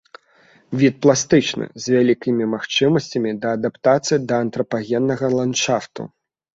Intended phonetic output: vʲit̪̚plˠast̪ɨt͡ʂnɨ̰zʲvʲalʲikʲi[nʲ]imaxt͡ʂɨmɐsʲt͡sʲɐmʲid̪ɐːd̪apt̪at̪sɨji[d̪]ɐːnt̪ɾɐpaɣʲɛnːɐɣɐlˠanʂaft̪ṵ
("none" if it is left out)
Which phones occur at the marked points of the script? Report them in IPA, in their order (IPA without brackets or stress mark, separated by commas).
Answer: mʲ, d̪